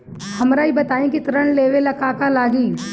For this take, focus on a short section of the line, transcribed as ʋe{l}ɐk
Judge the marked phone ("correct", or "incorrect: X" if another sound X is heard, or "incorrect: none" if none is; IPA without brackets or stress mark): correct